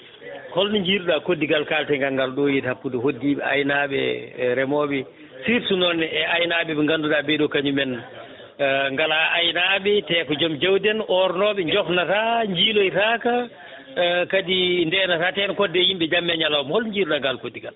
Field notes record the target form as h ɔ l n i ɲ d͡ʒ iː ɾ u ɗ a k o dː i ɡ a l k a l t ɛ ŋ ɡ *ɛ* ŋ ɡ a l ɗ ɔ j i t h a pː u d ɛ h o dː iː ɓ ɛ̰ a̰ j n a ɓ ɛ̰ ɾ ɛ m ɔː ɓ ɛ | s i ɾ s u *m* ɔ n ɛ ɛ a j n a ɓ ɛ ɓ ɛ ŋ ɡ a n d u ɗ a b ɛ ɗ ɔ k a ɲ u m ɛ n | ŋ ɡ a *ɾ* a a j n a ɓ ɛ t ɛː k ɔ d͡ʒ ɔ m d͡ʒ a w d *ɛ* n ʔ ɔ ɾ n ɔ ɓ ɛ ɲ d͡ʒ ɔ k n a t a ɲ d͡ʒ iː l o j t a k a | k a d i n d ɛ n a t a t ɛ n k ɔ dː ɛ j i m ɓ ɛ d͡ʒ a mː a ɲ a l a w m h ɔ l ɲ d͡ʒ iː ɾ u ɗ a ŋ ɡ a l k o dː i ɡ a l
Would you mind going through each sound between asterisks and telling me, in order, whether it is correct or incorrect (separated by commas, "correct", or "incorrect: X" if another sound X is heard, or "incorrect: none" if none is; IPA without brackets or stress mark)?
incorrect: a, incorrect: n, incorrect: l, correct